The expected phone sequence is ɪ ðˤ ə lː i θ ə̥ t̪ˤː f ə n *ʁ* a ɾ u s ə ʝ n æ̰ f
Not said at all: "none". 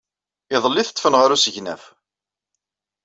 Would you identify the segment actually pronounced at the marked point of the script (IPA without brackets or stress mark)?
ʁ